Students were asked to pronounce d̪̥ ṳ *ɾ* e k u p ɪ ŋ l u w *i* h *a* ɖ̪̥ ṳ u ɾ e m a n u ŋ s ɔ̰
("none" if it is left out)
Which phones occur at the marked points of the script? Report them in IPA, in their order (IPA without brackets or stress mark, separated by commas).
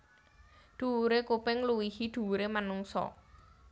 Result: ɾ, i, i